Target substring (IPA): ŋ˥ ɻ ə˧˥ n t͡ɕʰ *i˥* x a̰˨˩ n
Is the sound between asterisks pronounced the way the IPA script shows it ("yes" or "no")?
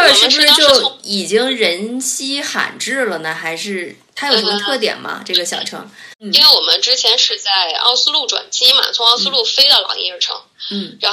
yes